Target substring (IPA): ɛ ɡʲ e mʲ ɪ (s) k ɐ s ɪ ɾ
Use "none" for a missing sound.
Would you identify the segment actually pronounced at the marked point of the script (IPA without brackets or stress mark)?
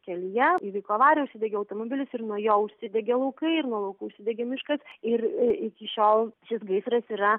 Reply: ʃ